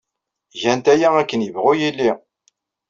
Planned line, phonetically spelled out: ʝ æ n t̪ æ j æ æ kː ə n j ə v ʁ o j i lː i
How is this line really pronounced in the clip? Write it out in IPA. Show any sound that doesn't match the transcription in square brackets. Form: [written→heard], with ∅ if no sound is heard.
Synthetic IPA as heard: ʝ æ n t̪ æ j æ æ kː ə n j ə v ʁ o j i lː i